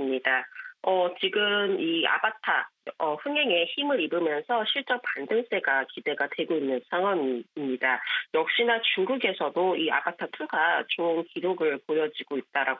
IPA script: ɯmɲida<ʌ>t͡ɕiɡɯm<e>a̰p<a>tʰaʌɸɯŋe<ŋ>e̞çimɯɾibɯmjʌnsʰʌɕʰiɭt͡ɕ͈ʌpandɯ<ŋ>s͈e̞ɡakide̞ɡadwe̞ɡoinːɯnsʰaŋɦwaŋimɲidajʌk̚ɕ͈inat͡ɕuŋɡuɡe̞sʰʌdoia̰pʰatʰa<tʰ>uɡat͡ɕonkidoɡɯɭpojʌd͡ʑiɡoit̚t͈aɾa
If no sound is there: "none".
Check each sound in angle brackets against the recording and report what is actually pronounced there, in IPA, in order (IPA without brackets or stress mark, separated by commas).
ʌ, i, a, ŋ, ŋ, tʰ